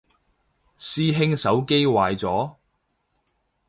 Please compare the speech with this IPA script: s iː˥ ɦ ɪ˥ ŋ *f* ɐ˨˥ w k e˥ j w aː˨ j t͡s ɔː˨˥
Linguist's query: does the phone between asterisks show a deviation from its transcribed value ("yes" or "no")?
yes